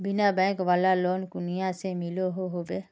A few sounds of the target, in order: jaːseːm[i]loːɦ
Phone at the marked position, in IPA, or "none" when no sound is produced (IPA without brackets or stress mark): i